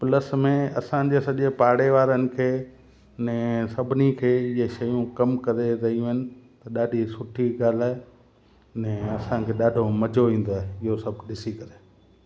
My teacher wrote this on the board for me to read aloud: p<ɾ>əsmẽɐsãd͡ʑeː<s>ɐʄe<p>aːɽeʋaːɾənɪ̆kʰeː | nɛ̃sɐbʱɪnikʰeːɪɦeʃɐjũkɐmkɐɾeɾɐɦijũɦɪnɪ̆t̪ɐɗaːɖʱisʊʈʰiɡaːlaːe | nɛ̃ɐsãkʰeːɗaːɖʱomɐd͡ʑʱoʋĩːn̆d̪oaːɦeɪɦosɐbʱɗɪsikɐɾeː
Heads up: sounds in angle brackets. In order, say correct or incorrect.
incorrect, correct, correct

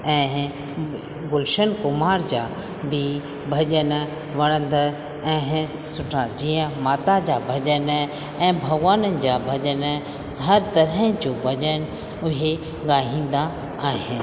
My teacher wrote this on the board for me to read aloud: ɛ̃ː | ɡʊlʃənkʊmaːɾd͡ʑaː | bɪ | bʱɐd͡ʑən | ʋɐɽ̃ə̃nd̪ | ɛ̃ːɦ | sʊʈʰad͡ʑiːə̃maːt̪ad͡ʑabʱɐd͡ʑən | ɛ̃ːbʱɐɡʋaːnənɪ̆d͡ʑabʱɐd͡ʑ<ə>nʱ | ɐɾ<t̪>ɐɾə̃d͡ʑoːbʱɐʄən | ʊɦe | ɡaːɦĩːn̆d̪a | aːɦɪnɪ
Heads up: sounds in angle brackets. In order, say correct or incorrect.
correct, correct

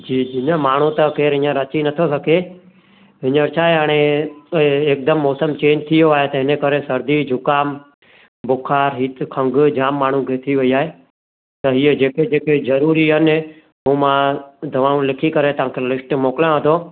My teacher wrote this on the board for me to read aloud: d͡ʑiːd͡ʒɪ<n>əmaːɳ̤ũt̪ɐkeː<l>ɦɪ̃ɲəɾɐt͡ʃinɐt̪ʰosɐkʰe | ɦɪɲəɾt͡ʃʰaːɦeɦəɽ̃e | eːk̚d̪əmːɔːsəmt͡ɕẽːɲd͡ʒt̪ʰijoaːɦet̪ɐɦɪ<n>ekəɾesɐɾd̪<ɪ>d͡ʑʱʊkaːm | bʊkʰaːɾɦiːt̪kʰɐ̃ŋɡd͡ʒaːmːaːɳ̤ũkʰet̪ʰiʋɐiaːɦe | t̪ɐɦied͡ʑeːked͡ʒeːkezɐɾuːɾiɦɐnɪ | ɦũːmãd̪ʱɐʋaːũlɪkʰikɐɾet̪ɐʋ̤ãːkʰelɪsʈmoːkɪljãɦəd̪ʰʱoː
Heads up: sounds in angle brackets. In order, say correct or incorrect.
incorrect, incorrect, correct, incorrect

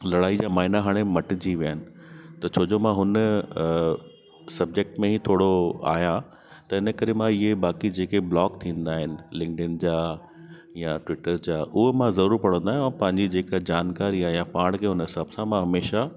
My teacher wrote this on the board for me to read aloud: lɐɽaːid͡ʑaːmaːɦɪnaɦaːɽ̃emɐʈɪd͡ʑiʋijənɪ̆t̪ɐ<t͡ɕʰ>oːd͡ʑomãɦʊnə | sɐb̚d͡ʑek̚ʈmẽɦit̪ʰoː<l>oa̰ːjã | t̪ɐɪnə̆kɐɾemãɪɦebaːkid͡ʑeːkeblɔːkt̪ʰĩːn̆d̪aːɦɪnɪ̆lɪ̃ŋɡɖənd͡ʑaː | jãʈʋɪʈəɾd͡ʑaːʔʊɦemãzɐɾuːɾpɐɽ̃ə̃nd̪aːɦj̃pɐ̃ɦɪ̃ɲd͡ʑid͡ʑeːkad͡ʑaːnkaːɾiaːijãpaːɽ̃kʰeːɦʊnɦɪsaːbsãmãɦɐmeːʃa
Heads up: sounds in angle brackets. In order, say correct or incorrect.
correct, incorrect

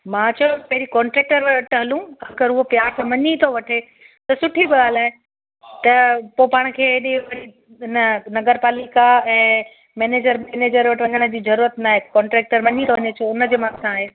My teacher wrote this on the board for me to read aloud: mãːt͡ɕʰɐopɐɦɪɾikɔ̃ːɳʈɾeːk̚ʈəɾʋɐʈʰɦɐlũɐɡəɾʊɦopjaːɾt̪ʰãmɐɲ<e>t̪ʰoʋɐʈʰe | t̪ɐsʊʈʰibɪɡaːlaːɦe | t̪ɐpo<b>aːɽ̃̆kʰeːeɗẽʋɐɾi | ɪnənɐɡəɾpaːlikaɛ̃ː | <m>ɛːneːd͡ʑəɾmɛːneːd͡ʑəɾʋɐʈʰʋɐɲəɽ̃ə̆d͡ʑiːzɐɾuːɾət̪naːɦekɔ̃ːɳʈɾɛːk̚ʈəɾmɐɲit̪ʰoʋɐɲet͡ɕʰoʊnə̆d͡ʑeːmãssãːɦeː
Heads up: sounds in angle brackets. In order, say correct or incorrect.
incorrect, incorrect, correct

